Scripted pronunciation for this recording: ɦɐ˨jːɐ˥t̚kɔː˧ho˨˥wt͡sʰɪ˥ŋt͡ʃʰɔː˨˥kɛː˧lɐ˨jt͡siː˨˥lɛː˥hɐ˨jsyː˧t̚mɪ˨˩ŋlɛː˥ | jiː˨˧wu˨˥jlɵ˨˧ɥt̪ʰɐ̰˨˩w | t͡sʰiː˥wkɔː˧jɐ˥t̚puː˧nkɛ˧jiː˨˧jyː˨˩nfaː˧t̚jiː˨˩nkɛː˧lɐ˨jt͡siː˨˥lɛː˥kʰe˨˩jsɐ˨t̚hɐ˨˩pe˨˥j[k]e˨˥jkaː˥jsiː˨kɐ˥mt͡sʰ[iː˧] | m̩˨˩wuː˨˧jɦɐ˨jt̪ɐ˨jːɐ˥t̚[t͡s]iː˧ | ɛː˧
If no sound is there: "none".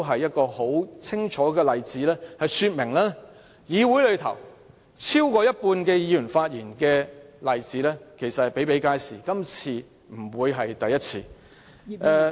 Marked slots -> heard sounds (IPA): p, iː˧, t͡sʰ

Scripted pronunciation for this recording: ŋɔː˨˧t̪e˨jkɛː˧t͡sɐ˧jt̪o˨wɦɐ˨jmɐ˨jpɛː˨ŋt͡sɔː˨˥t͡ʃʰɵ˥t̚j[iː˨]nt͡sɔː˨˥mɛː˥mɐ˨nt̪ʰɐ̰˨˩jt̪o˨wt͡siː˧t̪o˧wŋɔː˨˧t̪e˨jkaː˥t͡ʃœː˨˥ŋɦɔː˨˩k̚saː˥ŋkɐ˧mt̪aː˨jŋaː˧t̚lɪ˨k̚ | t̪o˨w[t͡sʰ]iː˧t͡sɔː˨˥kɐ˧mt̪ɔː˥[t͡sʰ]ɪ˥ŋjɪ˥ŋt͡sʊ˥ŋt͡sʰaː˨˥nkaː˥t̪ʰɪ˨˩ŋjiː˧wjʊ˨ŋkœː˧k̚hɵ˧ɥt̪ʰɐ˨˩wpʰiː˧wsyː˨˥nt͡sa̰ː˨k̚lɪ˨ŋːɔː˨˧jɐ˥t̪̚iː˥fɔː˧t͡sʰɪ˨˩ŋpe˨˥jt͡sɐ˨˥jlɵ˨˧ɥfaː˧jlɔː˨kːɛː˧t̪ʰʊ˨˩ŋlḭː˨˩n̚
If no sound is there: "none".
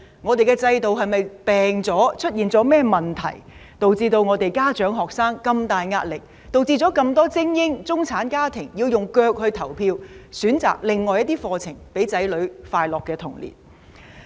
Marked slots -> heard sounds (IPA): iː˨, t͡s, t͡s

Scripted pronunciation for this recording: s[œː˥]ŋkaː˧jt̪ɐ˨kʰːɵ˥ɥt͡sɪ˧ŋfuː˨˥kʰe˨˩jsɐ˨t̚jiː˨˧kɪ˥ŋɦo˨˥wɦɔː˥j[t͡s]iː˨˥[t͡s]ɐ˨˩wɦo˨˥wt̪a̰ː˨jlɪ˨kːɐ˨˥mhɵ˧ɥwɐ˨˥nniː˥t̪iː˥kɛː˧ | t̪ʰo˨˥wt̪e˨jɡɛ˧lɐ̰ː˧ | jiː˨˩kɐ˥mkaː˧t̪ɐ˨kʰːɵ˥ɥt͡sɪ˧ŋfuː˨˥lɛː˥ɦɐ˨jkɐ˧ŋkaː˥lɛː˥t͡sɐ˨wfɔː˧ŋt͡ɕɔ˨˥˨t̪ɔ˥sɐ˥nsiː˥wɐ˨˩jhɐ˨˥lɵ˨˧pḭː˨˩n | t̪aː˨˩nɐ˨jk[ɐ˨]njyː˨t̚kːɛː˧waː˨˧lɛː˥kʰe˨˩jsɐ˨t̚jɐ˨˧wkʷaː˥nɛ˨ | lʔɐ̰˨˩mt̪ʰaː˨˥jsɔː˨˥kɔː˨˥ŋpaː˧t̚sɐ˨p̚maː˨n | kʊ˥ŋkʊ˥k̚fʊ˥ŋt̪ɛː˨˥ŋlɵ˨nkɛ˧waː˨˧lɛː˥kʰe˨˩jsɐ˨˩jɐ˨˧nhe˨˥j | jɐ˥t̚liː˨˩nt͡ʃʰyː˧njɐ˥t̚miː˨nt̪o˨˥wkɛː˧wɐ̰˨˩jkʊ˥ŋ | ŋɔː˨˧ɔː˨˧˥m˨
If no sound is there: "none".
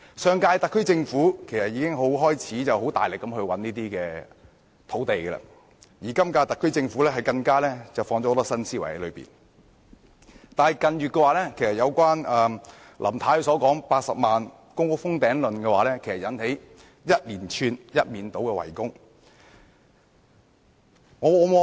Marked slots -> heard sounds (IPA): œː˨, t͡sʰ, t͡s, ɐ˨

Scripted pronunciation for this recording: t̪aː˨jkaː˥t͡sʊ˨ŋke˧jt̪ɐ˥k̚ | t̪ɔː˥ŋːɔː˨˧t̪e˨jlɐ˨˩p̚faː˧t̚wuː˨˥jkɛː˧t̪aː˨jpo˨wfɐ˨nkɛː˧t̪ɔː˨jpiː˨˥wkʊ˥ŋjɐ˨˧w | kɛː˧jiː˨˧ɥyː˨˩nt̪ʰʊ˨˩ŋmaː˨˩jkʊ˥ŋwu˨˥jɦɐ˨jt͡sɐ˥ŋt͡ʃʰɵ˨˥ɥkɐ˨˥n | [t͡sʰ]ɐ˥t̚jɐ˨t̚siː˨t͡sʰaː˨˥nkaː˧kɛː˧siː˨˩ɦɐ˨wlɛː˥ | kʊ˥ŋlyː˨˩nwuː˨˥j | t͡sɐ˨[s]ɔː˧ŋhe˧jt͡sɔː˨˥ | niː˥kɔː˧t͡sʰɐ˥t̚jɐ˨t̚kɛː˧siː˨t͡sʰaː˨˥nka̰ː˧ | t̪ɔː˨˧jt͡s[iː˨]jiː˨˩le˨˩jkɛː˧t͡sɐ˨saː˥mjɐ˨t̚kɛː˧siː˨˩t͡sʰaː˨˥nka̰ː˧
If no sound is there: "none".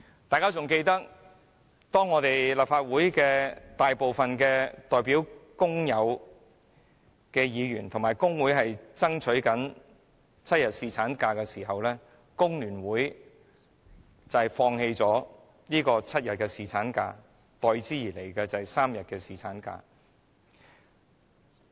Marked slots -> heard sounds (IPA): t͡sʰ, f, iː˥

